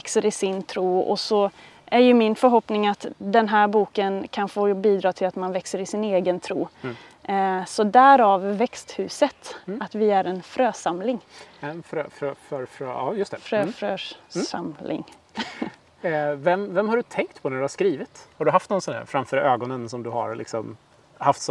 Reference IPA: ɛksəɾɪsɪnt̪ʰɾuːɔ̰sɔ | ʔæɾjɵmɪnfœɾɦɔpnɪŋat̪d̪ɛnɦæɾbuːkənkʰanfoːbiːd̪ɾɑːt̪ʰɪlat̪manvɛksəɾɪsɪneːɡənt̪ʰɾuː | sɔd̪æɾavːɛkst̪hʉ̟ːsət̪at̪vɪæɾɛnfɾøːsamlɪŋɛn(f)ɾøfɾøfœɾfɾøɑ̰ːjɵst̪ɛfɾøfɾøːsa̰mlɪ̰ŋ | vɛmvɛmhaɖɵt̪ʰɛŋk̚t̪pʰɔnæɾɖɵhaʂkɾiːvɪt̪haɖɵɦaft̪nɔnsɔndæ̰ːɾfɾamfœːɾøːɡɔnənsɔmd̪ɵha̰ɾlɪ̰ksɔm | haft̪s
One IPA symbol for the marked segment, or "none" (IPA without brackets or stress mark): f